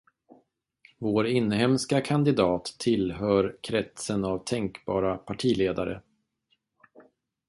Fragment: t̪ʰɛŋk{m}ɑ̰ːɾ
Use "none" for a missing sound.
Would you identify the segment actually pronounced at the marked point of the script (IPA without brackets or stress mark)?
b